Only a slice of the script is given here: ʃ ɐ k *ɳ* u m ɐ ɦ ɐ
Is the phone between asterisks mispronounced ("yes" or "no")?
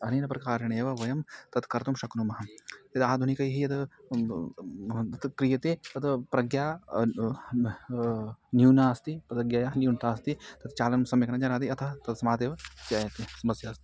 yes